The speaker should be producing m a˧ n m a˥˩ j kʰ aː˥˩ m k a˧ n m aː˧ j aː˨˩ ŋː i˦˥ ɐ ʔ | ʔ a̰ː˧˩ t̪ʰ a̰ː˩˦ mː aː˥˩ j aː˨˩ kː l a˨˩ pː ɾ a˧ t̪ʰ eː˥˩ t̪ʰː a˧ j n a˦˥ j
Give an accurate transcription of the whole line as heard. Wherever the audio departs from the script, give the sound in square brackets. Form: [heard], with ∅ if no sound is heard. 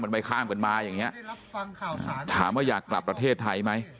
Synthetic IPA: m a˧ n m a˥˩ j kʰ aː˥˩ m k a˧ n m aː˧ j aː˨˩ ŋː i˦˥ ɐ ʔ | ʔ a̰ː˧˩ t̪ʰ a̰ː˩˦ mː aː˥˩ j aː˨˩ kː l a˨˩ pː ɾ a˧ t̪ʰ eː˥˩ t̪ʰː a˧ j [m] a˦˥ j